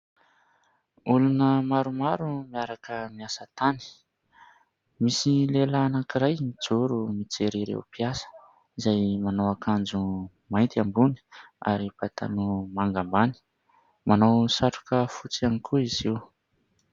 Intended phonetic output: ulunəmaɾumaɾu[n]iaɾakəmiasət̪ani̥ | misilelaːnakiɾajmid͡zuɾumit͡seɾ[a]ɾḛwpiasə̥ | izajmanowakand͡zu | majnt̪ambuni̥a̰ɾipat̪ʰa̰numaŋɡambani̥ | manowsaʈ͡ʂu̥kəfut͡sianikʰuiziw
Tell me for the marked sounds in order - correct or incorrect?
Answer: incorrect, incorrect

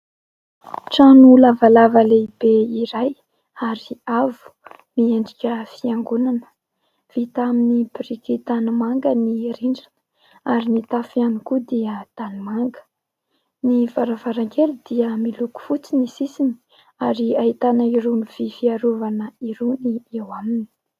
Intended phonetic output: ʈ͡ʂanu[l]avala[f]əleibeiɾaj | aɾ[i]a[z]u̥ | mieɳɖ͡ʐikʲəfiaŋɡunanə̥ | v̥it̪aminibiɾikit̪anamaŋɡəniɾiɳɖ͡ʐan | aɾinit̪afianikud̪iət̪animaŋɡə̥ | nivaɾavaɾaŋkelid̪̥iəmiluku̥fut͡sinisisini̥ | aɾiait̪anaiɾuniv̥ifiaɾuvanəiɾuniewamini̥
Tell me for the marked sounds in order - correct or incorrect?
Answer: correct, incorrect, correct, incorrect

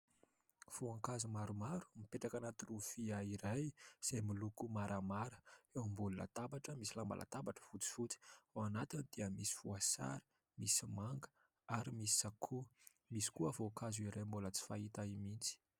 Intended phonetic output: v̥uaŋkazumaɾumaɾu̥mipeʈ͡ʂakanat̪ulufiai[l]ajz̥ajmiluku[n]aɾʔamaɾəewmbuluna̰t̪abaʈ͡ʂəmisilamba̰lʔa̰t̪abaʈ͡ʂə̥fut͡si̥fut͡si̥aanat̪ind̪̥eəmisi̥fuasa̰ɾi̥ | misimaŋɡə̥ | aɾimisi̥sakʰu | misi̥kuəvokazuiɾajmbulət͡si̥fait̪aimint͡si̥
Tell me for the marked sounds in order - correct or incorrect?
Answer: incorrect, incorrect

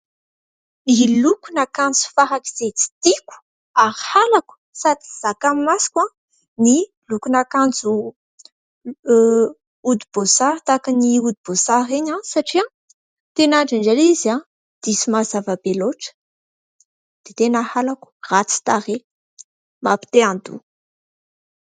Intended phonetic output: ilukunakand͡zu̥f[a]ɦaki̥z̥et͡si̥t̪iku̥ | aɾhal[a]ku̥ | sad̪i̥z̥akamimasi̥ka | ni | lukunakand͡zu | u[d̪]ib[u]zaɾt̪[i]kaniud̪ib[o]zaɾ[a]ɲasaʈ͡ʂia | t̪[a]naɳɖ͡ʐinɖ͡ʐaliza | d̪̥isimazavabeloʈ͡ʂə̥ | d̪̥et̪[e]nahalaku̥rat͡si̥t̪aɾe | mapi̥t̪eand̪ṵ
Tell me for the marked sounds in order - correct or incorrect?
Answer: correct, correct, correct, incorrect, incorrect, correct, incorrect, incorrect, correct

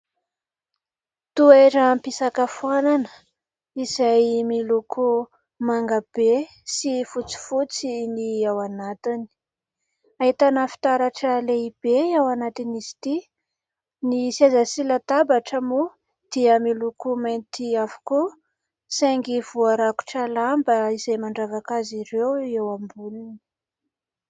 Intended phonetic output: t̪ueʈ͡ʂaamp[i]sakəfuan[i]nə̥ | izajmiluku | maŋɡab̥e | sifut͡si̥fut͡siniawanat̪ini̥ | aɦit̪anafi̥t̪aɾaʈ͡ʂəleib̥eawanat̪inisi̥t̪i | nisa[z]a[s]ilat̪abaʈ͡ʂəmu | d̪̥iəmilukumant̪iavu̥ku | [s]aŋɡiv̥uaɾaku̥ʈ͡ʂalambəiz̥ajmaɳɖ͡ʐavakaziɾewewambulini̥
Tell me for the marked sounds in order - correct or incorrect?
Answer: correct, incorrect, correct, correct, correct

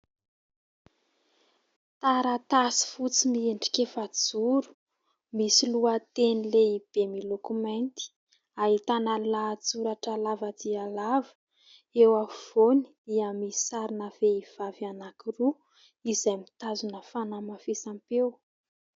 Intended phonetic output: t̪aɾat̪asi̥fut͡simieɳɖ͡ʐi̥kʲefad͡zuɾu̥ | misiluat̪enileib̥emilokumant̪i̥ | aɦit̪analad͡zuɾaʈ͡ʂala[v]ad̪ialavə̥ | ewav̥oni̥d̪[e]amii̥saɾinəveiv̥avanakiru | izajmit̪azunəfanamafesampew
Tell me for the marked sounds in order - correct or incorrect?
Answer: correct, incorrect

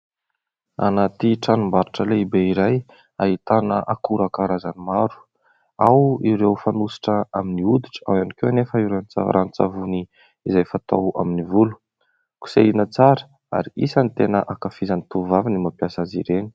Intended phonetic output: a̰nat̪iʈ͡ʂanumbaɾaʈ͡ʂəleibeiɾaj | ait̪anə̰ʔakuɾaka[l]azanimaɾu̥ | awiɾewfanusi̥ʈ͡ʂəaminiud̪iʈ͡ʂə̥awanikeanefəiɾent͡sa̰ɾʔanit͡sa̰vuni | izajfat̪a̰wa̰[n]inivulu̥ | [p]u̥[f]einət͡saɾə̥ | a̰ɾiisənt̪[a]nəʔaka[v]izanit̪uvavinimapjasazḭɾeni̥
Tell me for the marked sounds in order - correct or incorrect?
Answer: incorrect, incorrect, incorrect, incorrect, incorrect, incorrect

